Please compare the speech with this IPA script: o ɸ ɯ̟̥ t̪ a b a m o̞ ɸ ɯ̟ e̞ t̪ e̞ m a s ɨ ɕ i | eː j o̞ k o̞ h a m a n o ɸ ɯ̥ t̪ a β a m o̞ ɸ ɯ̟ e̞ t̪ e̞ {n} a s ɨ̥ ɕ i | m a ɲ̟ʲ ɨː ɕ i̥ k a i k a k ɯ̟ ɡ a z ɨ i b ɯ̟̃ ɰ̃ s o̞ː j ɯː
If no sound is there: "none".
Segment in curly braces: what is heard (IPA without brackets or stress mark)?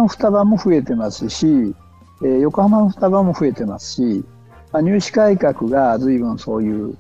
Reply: m